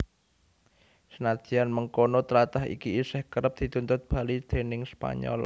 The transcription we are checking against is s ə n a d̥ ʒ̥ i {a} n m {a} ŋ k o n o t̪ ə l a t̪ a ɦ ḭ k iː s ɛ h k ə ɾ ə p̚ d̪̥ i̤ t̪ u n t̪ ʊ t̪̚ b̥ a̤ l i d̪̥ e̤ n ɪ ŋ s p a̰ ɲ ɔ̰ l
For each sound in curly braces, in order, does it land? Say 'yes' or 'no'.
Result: yes, no

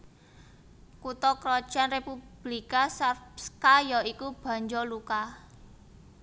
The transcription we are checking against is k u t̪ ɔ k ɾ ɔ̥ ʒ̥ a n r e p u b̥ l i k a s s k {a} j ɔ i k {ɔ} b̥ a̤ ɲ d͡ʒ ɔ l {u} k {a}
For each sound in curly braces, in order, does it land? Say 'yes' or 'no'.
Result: yes, no, yes, yes

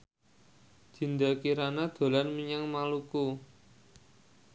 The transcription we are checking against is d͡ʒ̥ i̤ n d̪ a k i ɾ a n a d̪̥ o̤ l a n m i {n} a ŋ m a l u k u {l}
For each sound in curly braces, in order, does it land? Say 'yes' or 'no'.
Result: no, no

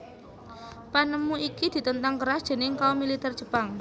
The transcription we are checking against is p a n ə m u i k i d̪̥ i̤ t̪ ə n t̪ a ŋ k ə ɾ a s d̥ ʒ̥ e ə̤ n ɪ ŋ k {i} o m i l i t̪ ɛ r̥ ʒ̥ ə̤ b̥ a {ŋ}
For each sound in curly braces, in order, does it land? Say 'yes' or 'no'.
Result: no, yes

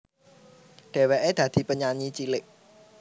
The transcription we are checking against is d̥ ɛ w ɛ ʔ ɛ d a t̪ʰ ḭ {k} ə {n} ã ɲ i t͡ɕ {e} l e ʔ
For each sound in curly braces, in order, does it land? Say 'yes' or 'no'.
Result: no, no, no

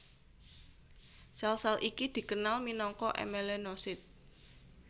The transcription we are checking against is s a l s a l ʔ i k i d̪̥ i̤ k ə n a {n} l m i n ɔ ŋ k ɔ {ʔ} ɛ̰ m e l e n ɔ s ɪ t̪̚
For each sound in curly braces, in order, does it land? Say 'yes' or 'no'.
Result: no, yes

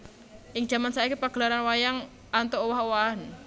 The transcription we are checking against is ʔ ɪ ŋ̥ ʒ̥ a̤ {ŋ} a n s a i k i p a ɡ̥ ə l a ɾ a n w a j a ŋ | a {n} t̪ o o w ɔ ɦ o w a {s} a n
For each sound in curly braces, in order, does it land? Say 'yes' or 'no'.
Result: no, yes, no

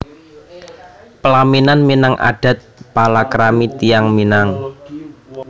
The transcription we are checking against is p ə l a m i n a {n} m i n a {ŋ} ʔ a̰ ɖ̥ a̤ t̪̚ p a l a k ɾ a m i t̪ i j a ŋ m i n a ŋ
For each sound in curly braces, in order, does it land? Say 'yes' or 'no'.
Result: yes, yes

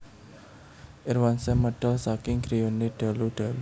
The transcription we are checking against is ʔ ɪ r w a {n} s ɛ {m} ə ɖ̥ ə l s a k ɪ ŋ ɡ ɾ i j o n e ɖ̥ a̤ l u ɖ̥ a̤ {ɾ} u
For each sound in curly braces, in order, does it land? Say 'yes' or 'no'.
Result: yes, yes, no

